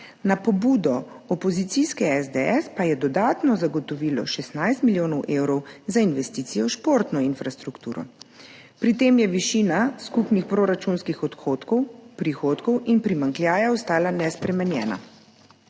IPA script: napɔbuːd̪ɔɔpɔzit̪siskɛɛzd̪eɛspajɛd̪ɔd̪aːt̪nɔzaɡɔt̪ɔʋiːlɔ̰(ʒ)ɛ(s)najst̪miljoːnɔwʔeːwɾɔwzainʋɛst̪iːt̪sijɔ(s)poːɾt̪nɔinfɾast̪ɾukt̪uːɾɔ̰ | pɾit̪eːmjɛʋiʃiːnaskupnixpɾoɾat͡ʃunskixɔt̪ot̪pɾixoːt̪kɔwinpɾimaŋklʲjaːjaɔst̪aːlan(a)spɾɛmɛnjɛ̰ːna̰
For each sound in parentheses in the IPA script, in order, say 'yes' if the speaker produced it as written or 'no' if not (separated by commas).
no, yes, no, no